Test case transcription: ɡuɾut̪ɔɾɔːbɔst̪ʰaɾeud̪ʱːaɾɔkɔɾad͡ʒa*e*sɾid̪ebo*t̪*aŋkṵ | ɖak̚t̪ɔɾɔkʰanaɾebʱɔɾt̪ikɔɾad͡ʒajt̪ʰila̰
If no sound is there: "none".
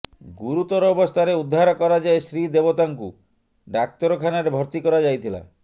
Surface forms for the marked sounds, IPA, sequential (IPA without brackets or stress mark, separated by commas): e, t̪